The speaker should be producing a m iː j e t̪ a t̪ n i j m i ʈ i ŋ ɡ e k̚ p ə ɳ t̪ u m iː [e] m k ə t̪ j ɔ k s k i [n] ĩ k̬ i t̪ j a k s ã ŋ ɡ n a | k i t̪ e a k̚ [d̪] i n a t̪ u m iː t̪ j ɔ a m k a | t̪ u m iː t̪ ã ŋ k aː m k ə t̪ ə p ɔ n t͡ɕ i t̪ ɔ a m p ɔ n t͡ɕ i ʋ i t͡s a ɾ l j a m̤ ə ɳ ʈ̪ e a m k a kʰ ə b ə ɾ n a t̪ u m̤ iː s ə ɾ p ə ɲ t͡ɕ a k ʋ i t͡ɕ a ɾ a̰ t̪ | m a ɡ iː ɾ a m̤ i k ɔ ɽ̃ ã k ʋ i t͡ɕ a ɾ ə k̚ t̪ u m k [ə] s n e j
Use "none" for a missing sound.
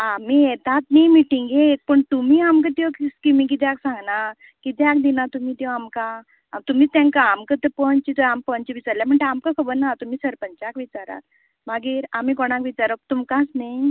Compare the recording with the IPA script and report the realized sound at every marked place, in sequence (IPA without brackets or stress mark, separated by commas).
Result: a, m, d̪, a